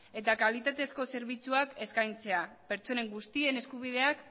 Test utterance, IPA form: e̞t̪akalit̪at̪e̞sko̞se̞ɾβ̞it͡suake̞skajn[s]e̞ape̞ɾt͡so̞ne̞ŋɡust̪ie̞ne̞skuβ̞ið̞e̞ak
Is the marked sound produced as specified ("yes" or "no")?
no